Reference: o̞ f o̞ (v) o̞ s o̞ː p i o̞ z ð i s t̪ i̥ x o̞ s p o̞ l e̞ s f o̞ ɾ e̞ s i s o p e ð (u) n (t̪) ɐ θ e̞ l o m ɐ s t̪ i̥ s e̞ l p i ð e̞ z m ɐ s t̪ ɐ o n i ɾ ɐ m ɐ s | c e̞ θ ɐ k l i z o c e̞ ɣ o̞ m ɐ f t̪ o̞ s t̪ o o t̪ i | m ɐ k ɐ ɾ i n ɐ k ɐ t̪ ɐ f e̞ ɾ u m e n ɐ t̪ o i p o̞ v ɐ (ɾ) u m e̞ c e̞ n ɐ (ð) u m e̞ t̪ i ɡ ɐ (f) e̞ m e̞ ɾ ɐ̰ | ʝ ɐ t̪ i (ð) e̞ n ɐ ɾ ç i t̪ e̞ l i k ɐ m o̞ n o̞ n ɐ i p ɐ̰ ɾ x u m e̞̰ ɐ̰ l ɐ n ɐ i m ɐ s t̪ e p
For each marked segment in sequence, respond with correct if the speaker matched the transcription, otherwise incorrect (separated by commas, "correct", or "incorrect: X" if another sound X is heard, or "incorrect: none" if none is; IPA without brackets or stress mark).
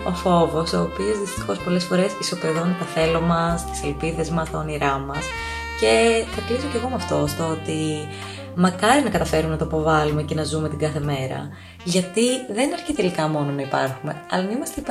correct, incorrect: o, correct, incorrect: l, incorrect: z, incorrect: θ, correct